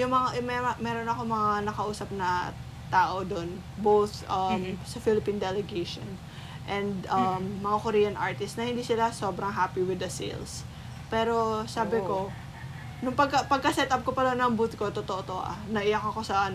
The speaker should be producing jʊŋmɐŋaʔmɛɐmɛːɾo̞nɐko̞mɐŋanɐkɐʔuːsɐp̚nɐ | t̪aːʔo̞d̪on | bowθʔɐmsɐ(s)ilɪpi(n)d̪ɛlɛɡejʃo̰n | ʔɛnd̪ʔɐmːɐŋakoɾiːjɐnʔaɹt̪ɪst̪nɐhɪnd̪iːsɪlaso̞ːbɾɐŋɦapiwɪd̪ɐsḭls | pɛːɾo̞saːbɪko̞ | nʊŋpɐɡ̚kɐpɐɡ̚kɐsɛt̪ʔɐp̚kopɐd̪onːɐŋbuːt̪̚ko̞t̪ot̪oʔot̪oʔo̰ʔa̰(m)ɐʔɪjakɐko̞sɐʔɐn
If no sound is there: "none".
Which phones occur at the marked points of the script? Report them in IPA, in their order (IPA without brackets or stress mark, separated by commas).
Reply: f, n, n